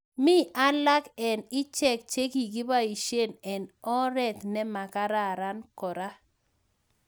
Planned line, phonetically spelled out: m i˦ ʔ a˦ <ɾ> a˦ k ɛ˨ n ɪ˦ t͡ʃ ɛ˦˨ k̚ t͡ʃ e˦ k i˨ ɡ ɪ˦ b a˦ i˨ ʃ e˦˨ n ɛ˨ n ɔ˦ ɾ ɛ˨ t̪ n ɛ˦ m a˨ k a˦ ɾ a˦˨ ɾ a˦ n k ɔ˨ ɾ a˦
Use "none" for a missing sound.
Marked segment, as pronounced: l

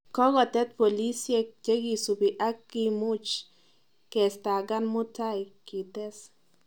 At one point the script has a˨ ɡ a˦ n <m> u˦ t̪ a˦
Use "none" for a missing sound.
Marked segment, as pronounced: m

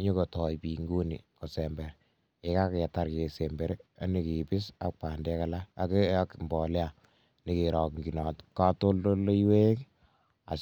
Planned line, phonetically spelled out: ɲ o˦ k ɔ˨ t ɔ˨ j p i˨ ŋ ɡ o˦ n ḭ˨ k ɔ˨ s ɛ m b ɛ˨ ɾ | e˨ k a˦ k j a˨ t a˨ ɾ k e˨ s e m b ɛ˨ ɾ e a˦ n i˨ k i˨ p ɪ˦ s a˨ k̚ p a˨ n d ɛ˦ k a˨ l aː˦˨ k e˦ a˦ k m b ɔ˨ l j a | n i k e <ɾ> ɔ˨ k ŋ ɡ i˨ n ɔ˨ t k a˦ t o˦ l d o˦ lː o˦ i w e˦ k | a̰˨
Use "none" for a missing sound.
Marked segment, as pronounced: ɾ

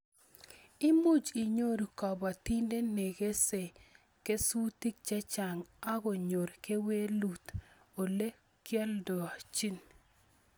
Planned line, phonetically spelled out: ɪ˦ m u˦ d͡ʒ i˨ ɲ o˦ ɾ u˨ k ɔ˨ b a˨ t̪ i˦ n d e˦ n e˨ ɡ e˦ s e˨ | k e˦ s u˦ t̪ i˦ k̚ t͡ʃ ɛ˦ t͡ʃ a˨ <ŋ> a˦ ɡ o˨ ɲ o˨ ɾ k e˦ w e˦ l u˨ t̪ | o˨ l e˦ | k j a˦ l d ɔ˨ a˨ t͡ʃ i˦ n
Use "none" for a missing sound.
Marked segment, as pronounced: ŋ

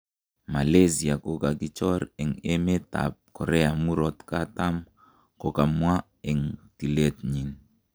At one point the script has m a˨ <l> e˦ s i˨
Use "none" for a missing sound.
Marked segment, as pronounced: l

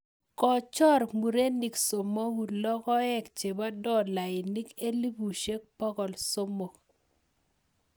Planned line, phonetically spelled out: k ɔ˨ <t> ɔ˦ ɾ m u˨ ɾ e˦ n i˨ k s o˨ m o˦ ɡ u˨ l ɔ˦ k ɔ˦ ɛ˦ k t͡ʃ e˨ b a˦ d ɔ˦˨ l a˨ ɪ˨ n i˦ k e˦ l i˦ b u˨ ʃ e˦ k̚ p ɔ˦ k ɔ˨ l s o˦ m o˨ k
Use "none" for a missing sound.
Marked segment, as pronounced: t͡ʃ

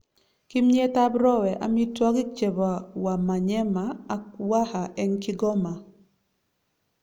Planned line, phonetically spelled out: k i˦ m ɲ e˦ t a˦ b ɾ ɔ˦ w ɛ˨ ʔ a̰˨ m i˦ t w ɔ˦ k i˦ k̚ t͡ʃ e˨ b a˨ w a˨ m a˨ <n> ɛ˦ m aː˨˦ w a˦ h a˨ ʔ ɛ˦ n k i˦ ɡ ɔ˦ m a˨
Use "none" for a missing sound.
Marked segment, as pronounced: ɲ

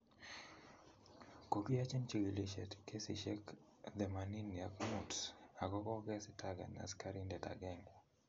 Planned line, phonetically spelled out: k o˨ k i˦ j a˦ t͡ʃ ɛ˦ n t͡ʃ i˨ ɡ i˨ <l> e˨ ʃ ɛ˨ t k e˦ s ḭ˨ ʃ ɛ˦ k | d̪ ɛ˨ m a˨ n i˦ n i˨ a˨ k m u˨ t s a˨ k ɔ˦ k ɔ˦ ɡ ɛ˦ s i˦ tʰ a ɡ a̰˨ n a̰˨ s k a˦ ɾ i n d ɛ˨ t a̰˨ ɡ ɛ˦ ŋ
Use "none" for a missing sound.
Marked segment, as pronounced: l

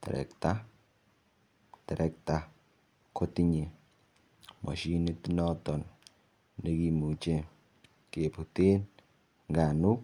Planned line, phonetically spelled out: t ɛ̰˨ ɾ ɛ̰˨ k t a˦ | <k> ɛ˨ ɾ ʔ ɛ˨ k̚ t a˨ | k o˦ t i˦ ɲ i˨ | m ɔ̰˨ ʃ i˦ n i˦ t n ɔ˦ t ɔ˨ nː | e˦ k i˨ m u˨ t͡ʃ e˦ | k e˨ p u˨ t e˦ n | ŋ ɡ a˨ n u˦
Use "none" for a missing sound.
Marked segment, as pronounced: t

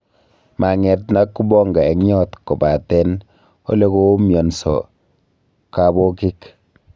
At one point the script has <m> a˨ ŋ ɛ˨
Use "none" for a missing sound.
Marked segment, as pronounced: m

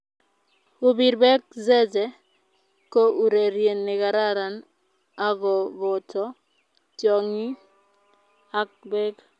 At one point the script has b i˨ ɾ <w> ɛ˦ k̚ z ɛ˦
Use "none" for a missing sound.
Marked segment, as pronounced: b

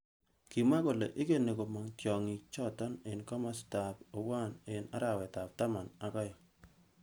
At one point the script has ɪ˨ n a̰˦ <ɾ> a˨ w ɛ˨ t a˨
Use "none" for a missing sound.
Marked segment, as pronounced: ɾ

